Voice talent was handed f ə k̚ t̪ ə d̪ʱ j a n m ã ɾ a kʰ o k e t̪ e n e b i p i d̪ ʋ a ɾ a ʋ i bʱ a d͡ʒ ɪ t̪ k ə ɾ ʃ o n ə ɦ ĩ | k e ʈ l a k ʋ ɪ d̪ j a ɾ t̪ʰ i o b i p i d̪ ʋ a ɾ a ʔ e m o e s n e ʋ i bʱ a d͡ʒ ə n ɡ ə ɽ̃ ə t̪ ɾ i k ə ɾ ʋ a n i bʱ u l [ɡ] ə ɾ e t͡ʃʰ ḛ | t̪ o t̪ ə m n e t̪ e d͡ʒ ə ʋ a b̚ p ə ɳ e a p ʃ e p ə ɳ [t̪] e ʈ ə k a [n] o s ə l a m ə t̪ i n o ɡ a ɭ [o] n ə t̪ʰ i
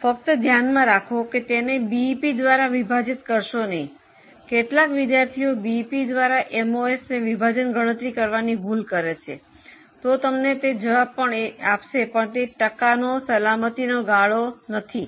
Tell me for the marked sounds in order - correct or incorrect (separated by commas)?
incorrect, correct, correct, correct